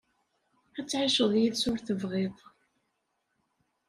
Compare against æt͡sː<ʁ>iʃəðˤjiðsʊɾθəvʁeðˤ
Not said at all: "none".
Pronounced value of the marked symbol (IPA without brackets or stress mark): ʕ